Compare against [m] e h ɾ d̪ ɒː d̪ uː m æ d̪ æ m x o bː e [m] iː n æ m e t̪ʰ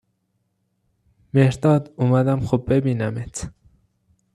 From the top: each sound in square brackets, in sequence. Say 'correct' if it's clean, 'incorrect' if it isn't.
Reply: correct, incorrect

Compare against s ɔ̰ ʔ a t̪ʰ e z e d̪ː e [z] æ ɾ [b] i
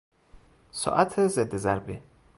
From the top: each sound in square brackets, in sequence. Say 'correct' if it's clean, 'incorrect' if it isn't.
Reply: correct, correct

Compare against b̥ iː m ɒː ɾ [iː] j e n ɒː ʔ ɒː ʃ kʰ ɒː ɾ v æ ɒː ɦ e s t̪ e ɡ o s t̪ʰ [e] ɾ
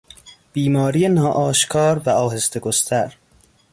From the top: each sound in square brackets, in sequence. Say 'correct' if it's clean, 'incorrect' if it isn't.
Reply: incorrect, incorrect

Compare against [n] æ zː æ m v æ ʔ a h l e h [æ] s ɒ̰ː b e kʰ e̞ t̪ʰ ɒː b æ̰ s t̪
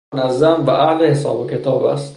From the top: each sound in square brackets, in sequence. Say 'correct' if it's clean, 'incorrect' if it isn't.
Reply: correct, incorrect

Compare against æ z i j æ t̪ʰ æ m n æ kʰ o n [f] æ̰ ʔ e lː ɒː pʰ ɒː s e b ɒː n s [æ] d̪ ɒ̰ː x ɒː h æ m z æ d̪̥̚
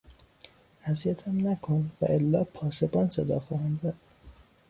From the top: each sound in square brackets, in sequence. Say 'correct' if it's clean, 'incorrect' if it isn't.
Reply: incorrect, incorrect

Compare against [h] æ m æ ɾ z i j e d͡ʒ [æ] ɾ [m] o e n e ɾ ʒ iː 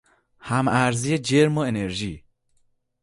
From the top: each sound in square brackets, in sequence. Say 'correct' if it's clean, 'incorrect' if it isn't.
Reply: correct, incorrect, correct

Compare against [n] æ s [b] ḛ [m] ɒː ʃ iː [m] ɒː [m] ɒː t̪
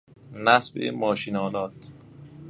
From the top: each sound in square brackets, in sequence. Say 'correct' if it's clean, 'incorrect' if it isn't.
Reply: correct, correct, correct, incorrect, incorrect

